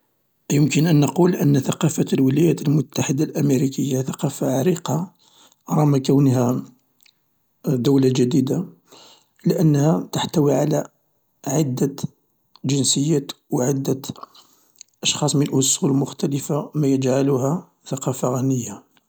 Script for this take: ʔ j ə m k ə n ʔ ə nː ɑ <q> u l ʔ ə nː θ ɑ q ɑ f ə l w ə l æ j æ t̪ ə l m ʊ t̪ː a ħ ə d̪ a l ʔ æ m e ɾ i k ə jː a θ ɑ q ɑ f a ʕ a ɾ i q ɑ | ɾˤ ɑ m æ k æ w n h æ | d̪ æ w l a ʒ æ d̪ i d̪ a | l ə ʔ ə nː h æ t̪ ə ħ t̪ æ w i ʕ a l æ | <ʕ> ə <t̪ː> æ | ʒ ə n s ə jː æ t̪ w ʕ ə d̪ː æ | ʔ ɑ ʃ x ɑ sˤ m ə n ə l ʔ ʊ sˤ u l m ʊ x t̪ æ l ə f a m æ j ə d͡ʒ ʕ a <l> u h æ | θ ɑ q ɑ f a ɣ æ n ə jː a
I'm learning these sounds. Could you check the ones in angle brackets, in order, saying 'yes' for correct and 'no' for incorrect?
yes, yes, no, yes

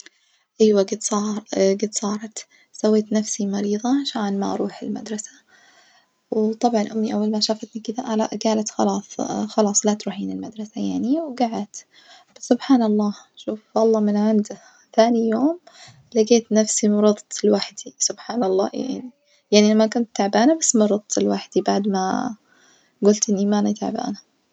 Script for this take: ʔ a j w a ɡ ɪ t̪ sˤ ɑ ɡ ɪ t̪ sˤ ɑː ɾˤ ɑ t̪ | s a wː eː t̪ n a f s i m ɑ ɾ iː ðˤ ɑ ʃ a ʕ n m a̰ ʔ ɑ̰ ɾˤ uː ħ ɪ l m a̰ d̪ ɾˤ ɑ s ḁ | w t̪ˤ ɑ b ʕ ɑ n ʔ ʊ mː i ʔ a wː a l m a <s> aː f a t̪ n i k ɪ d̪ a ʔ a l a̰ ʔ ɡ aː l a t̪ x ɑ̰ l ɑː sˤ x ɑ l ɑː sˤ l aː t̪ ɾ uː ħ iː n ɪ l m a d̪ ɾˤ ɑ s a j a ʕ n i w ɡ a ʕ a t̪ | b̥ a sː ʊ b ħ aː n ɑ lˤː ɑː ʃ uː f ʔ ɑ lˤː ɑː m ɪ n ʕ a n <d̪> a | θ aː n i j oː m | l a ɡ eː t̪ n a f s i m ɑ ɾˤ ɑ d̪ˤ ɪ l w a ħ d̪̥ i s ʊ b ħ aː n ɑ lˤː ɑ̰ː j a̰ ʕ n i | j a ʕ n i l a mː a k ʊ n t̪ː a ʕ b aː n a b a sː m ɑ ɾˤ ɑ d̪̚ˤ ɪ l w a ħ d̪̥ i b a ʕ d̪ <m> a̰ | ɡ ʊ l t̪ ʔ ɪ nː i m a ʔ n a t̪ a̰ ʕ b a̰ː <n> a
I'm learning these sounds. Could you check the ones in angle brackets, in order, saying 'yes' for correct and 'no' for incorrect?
no, yes, yes, yes

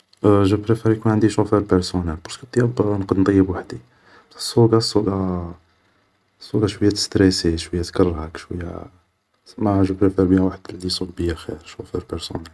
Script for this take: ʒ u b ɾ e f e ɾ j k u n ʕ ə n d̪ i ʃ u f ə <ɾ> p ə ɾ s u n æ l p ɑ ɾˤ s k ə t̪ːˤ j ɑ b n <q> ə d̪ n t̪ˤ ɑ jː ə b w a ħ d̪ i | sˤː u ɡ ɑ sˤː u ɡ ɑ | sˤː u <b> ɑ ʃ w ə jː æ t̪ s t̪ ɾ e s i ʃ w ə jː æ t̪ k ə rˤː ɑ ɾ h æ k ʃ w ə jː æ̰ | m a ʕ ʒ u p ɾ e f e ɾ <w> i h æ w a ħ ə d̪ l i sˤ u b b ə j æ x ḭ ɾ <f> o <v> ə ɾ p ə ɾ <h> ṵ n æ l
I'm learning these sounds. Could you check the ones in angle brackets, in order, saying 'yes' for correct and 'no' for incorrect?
yes, yes, no, no, no, no, no

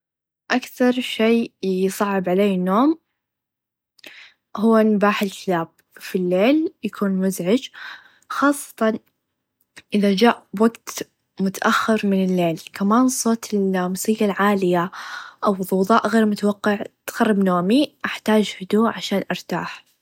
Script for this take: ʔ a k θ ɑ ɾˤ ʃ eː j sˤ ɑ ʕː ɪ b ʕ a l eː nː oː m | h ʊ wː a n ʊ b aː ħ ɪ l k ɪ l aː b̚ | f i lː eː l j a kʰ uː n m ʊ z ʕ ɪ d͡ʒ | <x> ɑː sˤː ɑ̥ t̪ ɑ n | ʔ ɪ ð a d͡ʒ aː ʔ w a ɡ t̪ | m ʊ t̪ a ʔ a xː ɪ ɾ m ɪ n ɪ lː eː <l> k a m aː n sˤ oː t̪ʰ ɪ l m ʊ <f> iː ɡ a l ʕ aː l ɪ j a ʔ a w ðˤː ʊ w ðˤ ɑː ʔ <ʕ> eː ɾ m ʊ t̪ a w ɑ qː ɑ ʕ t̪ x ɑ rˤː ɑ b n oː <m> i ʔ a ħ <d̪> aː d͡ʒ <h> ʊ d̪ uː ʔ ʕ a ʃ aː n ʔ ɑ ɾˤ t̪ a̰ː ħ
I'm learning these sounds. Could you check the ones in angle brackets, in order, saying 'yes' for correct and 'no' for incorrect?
yes, yes, no, no, yes, no, yes

